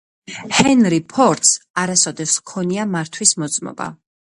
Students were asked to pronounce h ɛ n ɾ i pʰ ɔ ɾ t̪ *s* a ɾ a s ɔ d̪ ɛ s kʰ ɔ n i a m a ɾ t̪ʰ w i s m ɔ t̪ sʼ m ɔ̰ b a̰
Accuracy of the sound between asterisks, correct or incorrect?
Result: correct